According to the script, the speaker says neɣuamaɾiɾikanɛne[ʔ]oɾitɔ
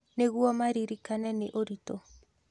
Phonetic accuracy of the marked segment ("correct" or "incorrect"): correct